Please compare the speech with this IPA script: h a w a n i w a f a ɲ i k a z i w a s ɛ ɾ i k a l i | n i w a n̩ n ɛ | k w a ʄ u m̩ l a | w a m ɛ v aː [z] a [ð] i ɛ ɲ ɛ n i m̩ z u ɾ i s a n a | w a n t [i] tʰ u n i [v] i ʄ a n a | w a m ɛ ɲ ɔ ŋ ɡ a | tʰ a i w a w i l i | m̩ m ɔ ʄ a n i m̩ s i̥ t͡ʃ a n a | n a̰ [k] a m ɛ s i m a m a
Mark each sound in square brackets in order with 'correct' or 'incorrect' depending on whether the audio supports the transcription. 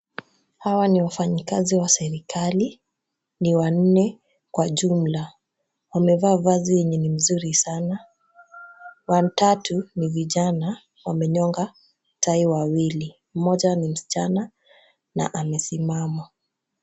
incorrect, incorrect, incorrect, correct, incorrect

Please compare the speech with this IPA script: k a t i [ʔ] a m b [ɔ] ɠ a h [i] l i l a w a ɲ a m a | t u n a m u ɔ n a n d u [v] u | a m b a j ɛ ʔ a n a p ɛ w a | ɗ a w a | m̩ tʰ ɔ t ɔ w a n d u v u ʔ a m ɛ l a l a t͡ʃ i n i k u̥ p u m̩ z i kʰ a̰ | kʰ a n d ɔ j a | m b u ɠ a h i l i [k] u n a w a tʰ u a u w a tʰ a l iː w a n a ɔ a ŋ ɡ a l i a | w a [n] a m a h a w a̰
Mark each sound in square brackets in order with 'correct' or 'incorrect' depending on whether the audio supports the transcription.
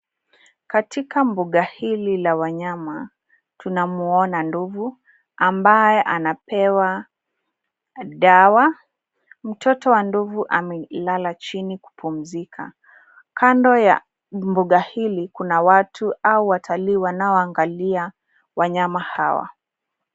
incorrect, incorrect, correct, correct, correct, incorrect

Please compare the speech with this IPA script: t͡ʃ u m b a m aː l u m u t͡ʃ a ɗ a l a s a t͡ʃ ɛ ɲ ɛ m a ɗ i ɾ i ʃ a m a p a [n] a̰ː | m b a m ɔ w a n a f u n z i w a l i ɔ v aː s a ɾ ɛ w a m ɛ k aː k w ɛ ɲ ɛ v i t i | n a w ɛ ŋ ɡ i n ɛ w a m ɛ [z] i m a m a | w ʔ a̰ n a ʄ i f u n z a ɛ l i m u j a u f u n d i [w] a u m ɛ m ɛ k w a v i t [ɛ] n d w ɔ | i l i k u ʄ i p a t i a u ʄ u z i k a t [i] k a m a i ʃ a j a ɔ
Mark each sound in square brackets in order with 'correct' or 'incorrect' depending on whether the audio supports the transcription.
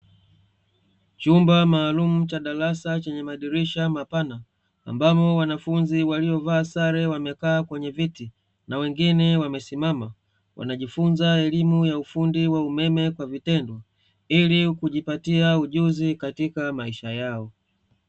correct, incorrect, correct, correct, correct

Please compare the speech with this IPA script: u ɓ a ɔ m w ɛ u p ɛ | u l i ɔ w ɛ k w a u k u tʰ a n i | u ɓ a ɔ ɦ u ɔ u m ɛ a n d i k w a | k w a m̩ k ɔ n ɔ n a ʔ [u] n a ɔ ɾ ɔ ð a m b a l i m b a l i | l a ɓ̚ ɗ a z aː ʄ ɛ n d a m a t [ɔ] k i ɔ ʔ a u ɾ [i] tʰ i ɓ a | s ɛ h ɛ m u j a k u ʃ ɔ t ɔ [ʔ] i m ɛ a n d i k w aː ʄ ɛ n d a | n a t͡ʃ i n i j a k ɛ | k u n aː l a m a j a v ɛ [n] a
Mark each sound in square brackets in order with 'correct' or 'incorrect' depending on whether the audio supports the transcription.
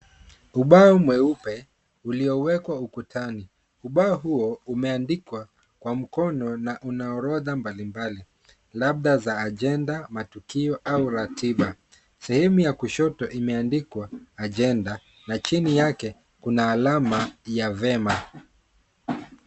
correct, incorrect, incorrect, correct, incorrect

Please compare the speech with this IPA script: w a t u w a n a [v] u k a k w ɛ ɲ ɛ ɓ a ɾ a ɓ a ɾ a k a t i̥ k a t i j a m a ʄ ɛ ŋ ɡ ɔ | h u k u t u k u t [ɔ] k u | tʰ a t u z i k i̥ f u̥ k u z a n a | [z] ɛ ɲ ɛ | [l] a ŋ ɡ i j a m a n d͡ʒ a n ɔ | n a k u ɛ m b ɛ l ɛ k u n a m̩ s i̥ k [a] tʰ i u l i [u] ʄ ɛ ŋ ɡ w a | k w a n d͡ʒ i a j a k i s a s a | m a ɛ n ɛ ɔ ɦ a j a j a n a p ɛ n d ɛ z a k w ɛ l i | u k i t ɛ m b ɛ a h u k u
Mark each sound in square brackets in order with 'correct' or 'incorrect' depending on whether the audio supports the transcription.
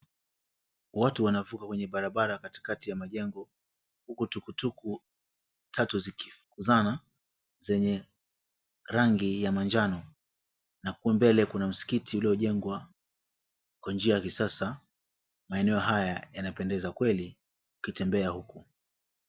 correct, incorrect, correct, incorrect, incorrect, incorrect

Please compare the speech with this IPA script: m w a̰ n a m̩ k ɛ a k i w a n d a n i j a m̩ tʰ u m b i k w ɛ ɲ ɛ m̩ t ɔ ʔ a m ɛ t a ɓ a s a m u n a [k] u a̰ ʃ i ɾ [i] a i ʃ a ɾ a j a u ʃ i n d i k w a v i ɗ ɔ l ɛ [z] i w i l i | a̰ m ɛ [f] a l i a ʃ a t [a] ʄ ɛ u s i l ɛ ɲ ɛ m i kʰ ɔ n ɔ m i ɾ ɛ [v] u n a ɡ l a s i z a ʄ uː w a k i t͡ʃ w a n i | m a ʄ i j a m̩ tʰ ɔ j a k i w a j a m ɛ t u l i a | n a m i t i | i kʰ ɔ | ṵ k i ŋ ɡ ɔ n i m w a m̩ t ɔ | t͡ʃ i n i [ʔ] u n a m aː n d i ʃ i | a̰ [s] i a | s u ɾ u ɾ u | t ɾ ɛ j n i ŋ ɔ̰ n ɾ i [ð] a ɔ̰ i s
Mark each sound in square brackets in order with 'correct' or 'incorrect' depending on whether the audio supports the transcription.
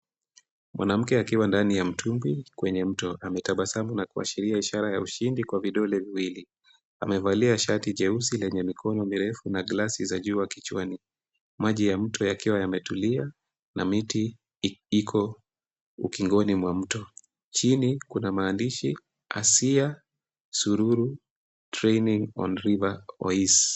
correct, correct, incorrect, incorrect, incorrect, incorrect, incorrect, correct, incorrect

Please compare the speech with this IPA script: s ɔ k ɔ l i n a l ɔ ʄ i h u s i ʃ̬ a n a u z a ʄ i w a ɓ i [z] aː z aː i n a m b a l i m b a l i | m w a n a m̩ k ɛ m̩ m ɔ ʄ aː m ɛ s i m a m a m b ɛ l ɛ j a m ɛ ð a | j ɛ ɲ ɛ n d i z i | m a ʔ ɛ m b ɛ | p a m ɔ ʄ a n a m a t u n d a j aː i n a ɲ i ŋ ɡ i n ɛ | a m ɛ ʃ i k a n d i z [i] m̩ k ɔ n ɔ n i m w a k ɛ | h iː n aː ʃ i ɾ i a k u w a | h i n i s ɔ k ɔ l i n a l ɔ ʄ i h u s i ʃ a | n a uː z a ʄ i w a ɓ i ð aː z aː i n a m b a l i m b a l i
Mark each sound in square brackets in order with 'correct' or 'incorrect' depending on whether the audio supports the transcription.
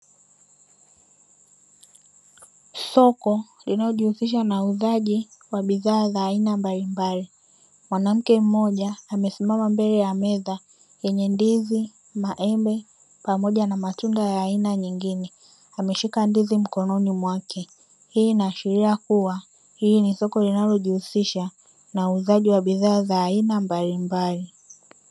incorrect, correct

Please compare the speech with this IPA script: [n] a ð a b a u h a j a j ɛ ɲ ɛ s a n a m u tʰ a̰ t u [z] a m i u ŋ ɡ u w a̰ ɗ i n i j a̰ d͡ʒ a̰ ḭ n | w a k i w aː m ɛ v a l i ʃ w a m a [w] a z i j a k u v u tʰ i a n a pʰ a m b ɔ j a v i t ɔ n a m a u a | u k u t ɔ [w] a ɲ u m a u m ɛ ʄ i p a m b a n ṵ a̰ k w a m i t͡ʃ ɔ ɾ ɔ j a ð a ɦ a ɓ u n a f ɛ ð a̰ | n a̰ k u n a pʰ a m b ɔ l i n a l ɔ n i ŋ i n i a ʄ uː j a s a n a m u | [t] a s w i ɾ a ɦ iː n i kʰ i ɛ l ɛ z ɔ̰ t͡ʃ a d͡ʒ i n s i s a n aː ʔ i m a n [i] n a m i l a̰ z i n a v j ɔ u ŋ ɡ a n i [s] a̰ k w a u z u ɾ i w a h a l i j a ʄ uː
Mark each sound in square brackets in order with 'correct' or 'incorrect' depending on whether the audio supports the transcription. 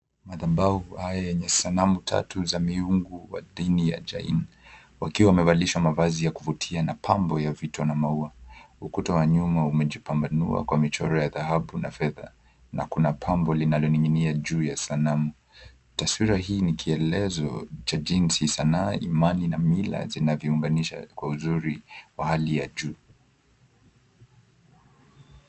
incorrect, correct, incorrect, correct, correct, correct, incorrect

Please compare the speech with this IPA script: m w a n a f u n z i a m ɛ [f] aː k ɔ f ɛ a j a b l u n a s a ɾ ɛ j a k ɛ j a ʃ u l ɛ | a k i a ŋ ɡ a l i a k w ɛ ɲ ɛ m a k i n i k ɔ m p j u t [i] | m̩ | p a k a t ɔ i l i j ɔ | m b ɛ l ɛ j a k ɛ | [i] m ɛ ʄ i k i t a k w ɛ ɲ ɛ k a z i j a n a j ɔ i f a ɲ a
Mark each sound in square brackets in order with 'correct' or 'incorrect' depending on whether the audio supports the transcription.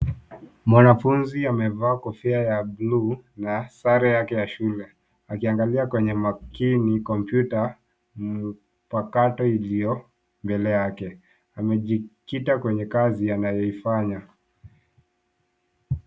incorrect, incorrect, incorrect

